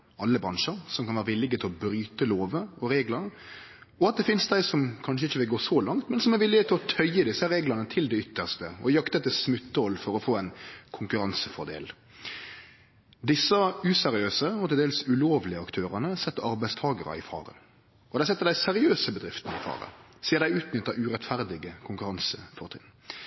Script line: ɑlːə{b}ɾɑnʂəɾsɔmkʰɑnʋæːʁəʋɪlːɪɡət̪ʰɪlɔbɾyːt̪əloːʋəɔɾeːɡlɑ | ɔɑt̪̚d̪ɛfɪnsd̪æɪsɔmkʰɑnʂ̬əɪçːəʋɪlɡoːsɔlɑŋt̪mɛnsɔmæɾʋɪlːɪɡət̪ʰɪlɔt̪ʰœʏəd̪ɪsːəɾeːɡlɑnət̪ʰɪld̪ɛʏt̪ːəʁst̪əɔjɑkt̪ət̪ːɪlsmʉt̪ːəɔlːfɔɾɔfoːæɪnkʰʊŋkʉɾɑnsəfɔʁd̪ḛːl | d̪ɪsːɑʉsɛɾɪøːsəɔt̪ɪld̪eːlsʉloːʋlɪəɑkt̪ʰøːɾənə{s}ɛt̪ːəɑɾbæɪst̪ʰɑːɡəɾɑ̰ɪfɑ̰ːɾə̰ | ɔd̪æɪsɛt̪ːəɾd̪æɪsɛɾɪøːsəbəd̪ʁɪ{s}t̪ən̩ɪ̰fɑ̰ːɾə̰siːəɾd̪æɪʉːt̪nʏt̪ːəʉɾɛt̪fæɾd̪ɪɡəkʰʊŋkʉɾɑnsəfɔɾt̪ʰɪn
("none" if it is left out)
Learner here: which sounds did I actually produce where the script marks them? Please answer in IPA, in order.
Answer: b, s, f

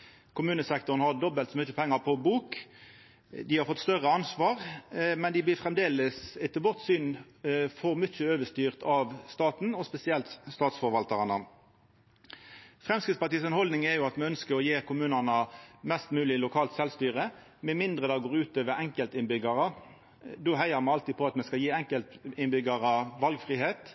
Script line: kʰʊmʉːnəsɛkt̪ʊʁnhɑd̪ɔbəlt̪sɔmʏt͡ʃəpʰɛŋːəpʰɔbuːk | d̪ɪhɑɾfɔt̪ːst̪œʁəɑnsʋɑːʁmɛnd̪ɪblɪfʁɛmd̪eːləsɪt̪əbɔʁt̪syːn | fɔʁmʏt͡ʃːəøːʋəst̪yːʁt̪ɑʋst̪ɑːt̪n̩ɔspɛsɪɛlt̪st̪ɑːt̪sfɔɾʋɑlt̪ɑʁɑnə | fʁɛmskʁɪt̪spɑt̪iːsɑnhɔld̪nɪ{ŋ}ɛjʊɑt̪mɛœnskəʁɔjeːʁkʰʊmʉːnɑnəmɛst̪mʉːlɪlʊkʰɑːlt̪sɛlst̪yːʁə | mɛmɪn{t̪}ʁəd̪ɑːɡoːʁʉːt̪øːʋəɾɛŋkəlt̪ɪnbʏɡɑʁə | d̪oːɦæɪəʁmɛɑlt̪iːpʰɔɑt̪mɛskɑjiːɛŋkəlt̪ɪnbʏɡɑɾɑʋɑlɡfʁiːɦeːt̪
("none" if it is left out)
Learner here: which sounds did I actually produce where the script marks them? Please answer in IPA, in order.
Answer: ŋ, d̪

